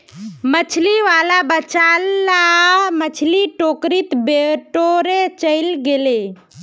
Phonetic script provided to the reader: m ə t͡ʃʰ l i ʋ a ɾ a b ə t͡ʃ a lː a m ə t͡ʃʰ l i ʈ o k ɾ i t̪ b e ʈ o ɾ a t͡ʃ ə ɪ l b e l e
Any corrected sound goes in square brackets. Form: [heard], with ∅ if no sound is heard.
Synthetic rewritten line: m ə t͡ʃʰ l i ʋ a [l] a b ə t͡ʃ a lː a m ə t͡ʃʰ l i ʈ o k ɾ i t̪ b e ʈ o ɾ [e] t͡ʃ ə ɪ l [ɡ] e l e